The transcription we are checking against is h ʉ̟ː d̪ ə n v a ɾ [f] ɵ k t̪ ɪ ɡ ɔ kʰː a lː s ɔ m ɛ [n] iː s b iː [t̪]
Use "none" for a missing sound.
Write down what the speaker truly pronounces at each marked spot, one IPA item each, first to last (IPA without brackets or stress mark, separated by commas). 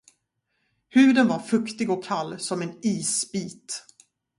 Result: f, n, t̪